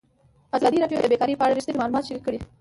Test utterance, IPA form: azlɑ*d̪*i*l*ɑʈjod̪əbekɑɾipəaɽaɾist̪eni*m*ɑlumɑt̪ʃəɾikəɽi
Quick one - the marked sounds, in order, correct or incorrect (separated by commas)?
correct, incorrect, correct